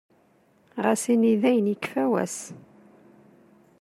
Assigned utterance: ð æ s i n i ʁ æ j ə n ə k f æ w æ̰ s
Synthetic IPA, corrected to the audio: ʁ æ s i n i ð æ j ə n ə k f æ w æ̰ s